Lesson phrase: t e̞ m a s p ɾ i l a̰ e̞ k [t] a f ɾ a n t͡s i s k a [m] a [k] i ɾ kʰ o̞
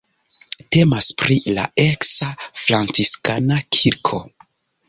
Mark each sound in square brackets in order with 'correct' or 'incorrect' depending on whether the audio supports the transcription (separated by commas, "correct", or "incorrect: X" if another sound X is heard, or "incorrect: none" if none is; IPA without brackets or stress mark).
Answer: incorrect: s, incorrect: n, incorrect: kʰ